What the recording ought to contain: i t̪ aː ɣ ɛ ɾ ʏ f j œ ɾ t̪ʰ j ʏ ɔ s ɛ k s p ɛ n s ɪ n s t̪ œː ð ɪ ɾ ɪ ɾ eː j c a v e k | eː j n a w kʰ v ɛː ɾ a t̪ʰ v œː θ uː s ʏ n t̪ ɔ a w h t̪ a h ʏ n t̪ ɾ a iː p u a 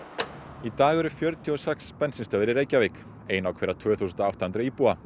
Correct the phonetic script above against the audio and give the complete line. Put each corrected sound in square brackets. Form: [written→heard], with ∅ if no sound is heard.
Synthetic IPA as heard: i t̪ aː ɣ ɛ ɾ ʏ f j œ ɾ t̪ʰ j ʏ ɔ s ɛ k s p ɛ n s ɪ n s t̪ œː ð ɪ ɾ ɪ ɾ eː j c a v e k | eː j n a w kʰ v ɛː ɾ a t̪ʰ v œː θ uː s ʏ n t̪ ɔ a w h t̪ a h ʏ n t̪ ɾ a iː p u a